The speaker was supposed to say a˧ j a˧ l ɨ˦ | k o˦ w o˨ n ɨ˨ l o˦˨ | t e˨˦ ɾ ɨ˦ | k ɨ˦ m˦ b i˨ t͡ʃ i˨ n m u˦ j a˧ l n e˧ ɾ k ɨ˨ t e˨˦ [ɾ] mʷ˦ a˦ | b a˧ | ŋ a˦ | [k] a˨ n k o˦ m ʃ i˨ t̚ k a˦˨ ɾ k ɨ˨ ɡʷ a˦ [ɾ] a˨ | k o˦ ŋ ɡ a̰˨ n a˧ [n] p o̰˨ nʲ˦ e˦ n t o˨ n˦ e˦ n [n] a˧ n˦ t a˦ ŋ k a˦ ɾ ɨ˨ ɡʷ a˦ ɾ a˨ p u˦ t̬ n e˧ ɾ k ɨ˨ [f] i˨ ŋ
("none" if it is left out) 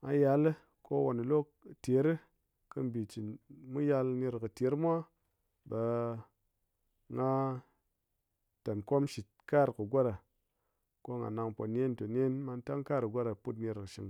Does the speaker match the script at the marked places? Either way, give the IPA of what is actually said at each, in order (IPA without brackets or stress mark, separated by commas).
ɾ, t, ɾ, ŋ, m, ʃ